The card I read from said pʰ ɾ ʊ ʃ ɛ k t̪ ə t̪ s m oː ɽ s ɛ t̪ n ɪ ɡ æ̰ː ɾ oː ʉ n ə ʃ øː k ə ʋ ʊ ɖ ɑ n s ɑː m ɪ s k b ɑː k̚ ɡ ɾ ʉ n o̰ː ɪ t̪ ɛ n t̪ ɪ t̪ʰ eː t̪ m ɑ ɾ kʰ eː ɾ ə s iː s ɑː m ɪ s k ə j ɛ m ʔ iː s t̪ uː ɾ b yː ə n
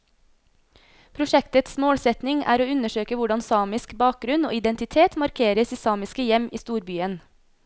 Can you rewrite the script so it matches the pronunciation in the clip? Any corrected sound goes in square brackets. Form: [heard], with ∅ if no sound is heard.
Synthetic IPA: pʰ ɾ ʊ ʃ ɛ k t̪ ə t̪ s m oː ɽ s ɛ t̪ n ɪ [ŋ] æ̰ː ɾ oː ʉ n ə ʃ øː k ə ʋ ʊ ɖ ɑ n s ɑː m ɪ s k b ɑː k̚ ɡ ɾ ʉ n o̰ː ɪ [d̪] ɛ n t̪ ɪ t̪ʰ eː t̪ m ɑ ɾ kʰ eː ɾ ə s iː s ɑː m ɪ s k ə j ɛ m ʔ iː s t̪ uː ɾ b yː ə n